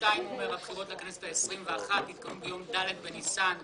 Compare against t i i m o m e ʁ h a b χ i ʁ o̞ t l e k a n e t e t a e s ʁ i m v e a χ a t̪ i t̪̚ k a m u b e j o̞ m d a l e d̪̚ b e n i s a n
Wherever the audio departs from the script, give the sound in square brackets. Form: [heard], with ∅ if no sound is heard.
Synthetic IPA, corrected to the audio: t [a] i m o m e ʁ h a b χ i ʁ o̞ t l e k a n e [s] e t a e s ʁ i m v e a χ a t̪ i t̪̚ k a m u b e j o̞ m d a l e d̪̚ b e n i s a n